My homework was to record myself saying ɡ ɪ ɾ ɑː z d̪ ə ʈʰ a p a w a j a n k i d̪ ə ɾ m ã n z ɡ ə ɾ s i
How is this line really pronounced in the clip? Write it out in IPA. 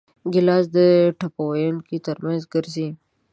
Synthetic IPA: ɡ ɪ l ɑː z d̪ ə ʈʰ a p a w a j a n k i t̪ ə ɾ m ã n z ɡ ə ɾ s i